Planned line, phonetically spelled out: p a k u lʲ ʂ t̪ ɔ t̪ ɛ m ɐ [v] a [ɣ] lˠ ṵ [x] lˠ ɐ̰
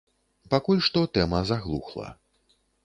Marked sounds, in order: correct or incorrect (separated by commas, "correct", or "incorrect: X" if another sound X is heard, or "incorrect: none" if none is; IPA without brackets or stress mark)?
incorrect: z, correct, correct